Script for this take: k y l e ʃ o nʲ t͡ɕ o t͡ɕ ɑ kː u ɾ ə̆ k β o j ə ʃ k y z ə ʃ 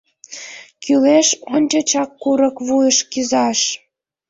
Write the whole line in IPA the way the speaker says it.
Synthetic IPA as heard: k y l e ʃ o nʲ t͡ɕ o t͡ɕ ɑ kː u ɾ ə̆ k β u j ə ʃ k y z ɑ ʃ